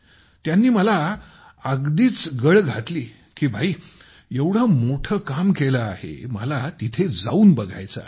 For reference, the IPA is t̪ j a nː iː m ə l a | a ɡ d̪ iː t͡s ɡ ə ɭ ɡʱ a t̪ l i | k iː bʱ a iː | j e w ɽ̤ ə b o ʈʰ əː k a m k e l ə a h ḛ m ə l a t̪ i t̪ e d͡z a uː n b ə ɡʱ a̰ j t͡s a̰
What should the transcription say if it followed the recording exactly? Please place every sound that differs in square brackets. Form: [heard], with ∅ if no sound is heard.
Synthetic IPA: t̪ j a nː iː m ə l a | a ɡ d̪ iː t͡s ɡ ə ɭ ɡʱ a t̪ l [iː] | k iː bʱ a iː | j e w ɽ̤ ə [m] o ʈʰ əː k a m k e l ə a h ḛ m ə l a t̪ i [t̪ʰ] e d͡z a uː n b ə ɡʱ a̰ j t͡s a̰